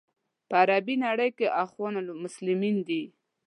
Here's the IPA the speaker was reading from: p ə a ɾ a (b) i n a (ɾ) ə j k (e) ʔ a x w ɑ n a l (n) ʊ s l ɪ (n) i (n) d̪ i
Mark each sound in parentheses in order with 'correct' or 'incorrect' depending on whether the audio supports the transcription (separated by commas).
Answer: correct, incorrect, correct, incorrect, incorrect, correct